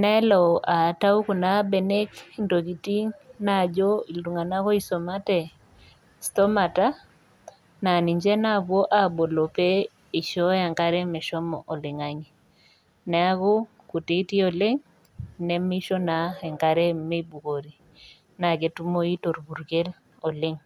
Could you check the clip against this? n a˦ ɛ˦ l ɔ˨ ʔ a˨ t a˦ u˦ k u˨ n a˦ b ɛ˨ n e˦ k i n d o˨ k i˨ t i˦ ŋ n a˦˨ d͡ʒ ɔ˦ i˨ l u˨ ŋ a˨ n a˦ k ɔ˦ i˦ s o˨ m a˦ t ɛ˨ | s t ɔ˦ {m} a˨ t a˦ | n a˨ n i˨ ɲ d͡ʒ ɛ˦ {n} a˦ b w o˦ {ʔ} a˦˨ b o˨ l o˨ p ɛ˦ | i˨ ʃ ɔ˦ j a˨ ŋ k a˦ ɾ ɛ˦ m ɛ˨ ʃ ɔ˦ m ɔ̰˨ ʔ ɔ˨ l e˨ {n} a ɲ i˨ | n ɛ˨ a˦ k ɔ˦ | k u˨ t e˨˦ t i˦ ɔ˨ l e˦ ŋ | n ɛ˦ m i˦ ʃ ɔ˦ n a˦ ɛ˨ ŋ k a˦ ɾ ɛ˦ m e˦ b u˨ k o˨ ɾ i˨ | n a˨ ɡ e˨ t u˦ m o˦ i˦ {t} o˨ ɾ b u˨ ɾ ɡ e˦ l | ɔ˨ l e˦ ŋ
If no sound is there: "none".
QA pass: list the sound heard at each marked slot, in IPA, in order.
m, n, ʔ, ŋ, t

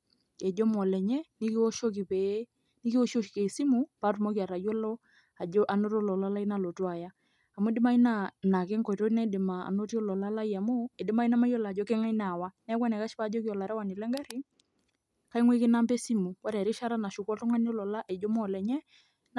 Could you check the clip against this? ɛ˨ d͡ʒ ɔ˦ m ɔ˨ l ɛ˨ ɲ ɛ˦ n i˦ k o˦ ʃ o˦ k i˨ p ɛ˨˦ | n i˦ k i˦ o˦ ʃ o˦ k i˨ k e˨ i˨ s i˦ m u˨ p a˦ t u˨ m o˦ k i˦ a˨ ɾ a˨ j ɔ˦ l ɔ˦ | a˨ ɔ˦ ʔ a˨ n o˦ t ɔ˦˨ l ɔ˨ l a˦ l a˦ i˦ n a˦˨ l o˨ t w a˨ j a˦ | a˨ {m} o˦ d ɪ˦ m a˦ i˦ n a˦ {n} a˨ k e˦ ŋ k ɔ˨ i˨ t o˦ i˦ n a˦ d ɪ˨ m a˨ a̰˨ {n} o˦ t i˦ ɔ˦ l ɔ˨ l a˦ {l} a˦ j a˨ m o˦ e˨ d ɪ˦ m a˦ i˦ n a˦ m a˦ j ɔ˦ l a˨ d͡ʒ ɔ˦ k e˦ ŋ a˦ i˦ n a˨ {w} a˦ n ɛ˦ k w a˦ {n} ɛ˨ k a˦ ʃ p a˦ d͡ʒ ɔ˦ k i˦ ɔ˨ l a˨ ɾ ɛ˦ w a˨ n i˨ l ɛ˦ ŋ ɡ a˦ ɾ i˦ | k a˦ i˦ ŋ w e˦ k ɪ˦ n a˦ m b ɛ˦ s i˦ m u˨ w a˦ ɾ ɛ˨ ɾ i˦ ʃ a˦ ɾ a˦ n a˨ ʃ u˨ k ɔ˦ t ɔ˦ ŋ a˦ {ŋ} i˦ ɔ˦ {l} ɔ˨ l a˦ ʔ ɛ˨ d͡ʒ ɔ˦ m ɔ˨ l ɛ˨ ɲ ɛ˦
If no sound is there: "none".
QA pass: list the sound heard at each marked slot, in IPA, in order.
m, n, n, l, w, n, n, l

